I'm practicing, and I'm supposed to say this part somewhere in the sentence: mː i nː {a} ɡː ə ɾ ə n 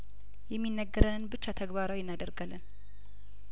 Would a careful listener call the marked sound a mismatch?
yes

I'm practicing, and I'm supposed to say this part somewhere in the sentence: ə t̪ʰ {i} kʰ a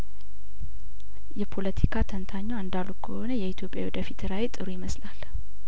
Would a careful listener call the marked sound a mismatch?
no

